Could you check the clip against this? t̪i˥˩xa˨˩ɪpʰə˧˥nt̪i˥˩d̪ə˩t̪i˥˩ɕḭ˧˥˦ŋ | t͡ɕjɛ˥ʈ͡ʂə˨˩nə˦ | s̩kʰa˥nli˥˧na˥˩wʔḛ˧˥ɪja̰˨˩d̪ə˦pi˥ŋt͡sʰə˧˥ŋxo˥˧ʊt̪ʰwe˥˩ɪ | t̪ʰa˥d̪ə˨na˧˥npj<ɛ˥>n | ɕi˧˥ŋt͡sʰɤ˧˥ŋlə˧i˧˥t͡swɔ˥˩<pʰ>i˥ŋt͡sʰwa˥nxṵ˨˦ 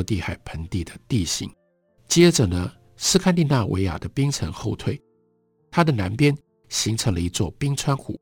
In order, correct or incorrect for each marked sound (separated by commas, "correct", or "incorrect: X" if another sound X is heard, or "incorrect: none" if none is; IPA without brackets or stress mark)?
correct, incorrect: p